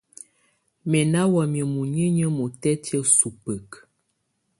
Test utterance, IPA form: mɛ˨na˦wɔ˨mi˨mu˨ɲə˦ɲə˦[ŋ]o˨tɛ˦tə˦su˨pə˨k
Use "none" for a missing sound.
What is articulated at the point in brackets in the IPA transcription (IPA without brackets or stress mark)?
m